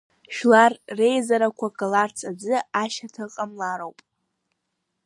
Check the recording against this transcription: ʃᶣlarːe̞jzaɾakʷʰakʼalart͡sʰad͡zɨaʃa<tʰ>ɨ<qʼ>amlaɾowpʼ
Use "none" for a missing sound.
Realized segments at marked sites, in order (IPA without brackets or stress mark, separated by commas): tʰ, qʼ